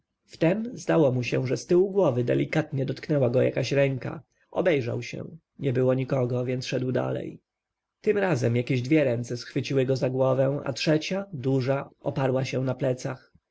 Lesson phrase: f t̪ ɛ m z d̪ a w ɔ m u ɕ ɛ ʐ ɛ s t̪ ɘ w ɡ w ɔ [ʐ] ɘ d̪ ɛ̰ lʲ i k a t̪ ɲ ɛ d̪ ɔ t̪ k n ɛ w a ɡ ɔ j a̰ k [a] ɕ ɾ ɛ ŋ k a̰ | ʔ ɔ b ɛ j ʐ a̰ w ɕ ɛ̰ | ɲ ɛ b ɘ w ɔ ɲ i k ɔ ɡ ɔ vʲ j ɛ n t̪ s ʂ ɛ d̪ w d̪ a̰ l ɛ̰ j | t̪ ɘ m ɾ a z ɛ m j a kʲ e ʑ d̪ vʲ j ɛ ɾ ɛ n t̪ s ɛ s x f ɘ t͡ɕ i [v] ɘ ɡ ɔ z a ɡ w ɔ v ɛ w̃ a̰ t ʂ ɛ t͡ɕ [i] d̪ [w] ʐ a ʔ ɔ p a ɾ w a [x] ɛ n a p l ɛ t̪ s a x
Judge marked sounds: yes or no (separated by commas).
no, yes, no, no, no, no